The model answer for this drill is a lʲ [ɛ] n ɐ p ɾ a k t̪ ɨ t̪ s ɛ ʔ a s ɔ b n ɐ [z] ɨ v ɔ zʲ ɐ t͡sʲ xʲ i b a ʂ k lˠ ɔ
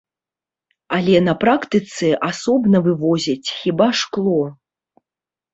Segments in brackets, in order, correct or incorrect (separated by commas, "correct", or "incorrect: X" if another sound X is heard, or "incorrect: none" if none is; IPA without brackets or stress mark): correct, incorrect: v